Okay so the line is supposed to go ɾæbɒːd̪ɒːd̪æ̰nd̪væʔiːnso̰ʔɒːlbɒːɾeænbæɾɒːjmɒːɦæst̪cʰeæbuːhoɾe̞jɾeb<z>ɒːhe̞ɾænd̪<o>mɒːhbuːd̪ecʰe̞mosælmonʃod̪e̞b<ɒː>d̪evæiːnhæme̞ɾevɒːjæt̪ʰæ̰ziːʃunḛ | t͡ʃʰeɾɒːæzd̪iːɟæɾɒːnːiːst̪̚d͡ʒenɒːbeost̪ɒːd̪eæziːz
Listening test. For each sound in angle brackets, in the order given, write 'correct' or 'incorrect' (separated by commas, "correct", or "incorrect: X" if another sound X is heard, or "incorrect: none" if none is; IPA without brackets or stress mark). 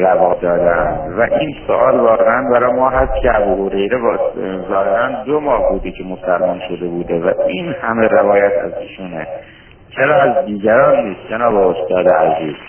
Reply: correct, correct, incorrect: uː